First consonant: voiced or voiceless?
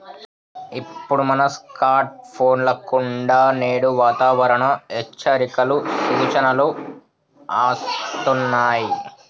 voiceless